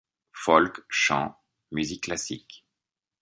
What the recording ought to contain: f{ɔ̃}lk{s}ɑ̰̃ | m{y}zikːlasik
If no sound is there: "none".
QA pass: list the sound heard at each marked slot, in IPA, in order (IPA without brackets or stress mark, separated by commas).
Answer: ɔ, ʃ, y